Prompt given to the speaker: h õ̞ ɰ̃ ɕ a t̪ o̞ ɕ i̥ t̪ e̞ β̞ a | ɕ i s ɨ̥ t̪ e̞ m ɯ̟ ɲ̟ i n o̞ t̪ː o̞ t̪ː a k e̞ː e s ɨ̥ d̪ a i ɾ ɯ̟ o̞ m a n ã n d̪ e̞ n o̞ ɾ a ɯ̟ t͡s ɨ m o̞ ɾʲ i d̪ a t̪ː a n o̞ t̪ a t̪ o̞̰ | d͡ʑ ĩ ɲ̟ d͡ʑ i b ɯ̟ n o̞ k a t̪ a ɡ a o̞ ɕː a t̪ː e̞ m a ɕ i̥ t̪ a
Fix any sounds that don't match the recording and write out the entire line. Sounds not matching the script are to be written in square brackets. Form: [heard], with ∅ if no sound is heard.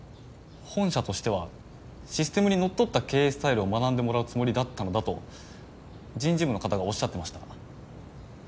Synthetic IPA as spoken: h õ̞ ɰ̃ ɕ a t̪ o̞ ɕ i̥ t̪ e̞ β̞ a | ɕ i s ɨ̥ t̪ e̞ m ɯ̟ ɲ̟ i n o̞ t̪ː o̞ t̪ː a k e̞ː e s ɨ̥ [t̪] a i ɾ ɯ̟ o̞ m a n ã n d̪ e̞ [m] o̞ ɾ a ɯ̟ t͡s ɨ m o̞ ɾʲ i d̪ a t̪ː a n o̞ [d̪] a t̪ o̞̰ | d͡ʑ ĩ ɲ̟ d͡ʑ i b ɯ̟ n o̞ k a t̪ a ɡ a o̞ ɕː a t̪ː e̞ m a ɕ i̥ t̪ a

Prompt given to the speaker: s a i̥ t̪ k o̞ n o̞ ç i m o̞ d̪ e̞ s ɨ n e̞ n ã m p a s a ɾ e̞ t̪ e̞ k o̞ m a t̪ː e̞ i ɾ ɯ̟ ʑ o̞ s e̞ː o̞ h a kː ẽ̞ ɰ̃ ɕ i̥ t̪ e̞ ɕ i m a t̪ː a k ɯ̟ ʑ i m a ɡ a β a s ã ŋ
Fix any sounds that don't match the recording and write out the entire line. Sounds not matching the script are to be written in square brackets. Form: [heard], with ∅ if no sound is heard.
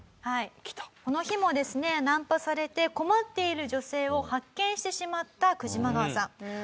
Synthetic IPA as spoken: [h] a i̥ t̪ k o̞ n o̞ ç i m o̞ d̪ e̞ s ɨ n e̞ n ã m p a s a ɾ e̞ t̪ e̞ k o̞ m a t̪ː e̞ i ɾ ɯ̟ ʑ o̞ s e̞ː o̞ h a kː ẽ̞ ɰ̃ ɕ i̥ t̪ e̞ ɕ i m a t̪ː a k ɯ̟ ʑ i m a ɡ a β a s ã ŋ

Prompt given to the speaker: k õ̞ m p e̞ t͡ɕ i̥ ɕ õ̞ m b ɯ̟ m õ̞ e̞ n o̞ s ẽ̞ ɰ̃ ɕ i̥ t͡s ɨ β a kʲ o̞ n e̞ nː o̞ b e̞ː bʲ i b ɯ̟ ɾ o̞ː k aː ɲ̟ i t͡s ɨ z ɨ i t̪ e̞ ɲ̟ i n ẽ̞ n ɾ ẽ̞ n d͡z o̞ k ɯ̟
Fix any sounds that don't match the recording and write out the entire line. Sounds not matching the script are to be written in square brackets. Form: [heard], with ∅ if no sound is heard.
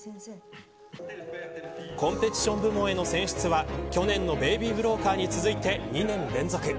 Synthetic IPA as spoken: k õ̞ m p e̞ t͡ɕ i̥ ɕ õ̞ m b ɯ̟ m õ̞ e̞ n o̞ s ẽ̞ ɰ̃ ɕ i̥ t͡s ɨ β a kʲ o̞ n [ẽ̞] nː o̞ b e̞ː bʲ i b ɯ̟ ɾ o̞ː k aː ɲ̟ i t͡s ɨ z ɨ i t̪ e̞ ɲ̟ i n ẽ̞ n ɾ ẽ̞ n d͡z o̞ k ɯ̟

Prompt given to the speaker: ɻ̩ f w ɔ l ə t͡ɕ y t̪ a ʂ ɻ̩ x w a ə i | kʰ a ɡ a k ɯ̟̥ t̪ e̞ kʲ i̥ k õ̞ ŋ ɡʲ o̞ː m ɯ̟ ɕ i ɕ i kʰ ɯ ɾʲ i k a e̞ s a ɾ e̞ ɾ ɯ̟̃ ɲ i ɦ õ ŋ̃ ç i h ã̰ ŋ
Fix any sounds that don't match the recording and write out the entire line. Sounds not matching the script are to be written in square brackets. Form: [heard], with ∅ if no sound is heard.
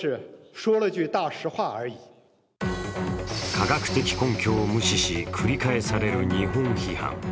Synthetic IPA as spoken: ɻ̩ [ʂ] w ɔ l ə t͡ɕ y t̪ a ʂ ɻ̩ x w a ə i | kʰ a ɡ a k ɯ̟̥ t̪ e̞ kʲ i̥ k õ̞ ŋ [kʲ] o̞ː m ɯ̟ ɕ i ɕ i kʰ ɯ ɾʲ i k a e̞ s a ɾ e̞ ɾ [ɯ̟] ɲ i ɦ õ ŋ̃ ç i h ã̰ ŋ

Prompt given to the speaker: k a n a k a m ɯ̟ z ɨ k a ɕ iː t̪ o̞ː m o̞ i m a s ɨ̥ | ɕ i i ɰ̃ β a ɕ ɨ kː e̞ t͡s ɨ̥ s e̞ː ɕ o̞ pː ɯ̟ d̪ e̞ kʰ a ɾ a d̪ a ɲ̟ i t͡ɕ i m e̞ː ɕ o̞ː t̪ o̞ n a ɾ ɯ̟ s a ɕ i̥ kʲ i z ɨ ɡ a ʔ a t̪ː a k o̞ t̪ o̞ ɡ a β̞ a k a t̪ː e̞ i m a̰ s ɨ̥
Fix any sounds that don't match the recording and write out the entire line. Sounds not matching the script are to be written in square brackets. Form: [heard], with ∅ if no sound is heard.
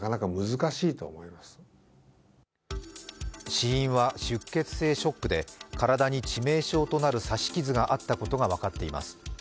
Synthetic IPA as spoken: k a n a k a m ɯ̟ z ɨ k a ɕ iː t̪ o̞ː m o̞ i m a s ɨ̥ | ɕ i [ĩ] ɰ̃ β a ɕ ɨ kː e̞ t͡s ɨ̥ s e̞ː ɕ o̞ [kː] ɯ̟ d̪ e̞ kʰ a ɾ a d̪ a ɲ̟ i t͡ɕ i m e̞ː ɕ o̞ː t̪ o̞ n a ɾ ɯ̟ s a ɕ i̥ kʲ i z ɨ ɡ a ʔ a t̪ː a k o̞ t̪ o̞ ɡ a β̞ a k a t̪ː e̞ i m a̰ s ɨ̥

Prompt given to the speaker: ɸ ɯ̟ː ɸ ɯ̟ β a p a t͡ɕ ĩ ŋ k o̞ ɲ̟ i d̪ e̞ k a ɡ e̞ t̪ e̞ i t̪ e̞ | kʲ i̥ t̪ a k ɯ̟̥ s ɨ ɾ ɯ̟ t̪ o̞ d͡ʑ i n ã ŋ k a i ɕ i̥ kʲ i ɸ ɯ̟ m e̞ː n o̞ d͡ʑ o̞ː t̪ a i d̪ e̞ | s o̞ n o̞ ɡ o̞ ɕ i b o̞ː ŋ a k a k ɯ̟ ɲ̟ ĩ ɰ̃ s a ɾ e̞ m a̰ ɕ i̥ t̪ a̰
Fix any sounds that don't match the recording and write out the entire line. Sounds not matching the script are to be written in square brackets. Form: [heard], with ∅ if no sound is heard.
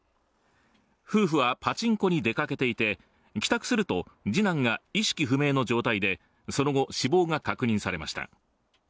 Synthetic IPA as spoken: ɸ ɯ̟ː ɸ ɯ̟ β a p a t͡ɕ ĩ ŋ k o̞ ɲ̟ i d̪ e̞ k a [k] e̞ t̪ e̞ i t̪ e̞ | kʲ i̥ t̪ a k ɯ̟̥ s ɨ ɾ ɯ̟ t̪ o̞ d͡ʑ i n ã ŋ [ɡ] a i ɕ i̥ kʲ i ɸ ɯ̟ m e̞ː n o̞ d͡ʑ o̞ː t̪ a i d̪ e̞ | s o̞ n o̞ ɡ o̞ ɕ i b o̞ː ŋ a k a k ɯ̟ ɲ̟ ĩ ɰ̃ s a ɾ e̞ m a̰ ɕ i̥ t̪ a̰

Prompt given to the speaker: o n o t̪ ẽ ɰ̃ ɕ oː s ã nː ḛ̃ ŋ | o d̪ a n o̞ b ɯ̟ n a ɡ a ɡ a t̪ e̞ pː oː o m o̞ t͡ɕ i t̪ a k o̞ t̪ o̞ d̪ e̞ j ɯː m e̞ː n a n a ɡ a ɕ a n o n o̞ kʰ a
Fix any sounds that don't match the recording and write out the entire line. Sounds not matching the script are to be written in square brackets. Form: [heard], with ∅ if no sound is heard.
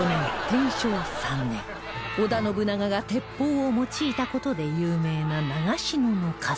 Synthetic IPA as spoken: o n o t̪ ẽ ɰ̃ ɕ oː s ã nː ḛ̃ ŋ | o d̪ a n o̞ b ɯ̟ n a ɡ a ɡ a t̪ e̞ pː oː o m o̞ t͡ɕ [iː] t̪ a k o̞ t̪ o̞ d̪ e̞ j ɯː m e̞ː n a n a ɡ a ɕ [i] n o n o̞ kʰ a

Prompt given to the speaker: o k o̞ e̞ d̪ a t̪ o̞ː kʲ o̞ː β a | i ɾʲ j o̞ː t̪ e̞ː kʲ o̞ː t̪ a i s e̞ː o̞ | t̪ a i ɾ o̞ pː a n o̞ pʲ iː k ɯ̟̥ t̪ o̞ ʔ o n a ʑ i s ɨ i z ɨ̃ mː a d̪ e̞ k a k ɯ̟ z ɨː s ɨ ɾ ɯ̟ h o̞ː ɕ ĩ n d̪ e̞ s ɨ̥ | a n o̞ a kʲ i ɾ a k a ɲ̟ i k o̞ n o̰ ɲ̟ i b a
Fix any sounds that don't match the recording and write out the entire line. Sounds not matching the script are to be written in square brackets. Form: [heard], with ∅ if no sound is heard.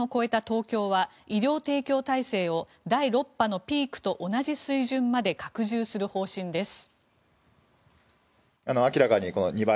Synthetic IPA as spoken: o k o̞ e̞ [t̪] a t̪ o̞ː kʲ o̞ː β a | i ɾʲ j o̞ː t̪ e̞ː kʲ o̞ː t̪ a i s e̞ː o̞ | [d̪] a i ɾ o̞ pː a n o̞ pʲ iː k ɯ̟̥ t̪ o̞ ʔ o n a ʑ i s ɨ i [ʑ] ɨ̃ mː a d̪ e̞ k a k ɯ̟ [ʑ] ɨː s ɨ ɾ ɯ̟ h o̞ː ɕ ĩ n d̪ e̞ s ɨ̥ | a n o̞ a kʲ i ɾ a k a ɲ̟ i k o̞ n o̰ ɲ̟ i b a

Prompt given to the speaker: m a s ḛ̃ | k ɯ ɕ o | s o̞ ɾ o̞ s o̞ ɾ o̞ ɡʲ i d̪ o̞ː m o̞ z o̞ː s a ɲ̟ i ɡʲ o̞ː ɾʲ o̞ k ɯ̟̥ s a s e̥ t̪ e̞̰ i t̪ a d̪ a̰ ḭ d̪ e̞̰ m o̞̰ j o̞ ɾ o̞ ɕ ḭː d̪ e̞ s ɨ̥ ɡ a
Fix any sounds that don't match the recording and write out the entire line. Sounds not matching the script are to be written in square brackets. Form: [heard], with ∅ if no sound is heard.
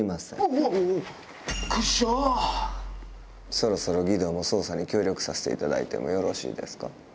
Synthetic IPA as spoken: m a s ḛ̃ | k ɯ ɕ o | s o̞ ɾ o̞ s o̞ ɾ o̞ ɡʲ i d̪ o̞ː m o̞ [s] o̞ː s a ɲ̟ i [kʲ] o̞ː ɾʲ o̞ k ɯ̟̥ s a s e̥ t̪ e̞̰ i t̪ a d̪ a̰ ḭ [t̪] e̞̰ m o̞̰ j o̞ ɾ o̞ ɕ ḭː d̪ e̞ s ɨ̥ [k] a

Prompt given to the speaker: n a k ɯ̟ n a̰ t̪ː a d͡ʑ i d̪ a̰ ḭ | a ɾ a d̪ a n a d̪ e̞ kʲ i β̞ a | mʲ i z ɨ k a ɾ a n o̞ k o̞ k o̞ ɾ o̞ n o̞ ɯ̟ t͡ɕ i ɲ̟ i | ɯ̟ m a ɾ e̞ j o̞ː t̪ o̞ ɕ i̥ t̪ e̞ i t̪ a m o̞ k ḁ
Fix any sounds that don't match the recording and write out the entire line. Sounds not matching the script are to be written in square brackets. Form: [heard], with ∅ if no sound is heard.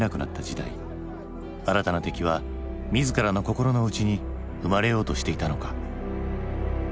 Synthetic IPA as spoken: n a k ɯ̟ n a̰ t̪ː a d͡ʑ i d̪ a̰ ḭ | a ɾ a [t̪] a n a [t̪] e̞ kʲ i β̞ a | mʲ i z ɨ k a ɾ a n o̞ k o̞ k o̞ ɾ o̞ n o̞ ɯ̟ t͡ɕ i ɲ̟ i | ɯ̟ m a ɾ e̞ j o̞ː t̪ o̞ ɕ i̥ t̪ e̞ i t̪ a [n] o̞ k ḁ

